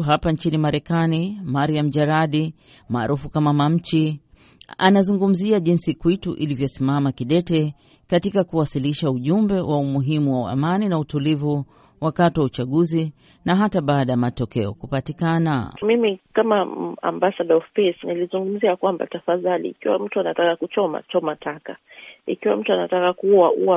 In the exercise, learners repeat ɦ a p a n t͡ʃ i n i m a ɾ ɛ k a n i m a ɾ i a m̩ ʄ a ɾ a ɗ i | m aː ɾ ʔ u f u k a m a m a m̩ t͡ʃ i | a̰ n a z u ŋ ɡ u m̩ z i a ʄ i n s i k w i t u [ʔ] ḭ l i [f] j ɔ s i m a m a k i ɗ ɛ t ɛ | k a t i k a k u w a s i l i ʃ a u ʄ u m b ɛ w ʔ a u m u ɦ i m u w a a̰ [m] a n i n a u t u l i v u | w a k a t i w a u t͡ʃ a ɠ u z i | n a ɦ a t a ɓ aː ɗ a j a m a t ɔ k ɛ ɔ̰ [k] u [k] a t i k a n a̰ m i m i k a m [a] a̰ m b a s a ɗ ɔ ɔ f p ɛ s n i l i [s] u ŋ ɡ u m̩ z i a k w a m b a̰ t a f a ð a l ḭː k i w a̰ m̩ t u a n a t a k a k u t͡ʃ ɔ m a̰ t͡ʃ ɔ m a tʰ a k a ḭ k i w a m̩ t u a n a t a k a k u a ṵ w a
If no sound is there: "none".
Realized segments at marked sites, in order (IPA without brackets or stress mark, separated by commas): ʔ, v, m, k, p, a, z